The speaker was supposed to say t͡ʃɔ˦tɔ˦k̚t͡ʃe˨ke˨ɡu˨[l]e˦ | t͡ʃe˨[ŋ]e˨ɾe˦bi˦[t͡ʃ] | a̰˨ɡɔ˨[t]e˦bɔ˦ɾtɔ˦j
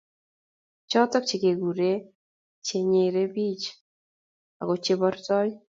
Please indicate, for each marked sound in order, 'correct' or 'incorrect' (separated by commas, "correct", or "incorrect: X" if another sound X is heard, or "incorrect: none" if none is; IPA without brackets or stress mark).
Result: incorrect: ɾ, incorrect: ɲ, correct, incorrect: t͡ʃ